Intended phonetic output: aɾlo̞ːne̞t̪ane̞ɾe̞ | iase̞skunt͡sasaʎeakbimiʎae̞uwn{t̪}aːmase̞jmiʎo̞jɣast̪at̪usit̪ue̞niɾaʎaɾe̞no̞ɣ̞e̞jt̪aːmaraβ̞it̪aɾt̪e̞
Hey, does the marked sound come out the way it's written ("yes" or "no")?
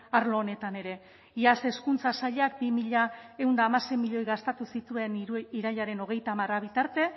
no